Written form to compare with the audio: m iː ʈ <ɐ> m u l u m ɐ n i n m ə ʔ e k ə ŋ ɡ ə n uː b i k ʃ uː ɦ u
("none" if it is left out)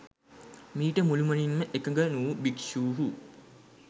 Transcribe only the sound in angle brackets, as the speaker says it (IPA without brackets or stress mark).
ə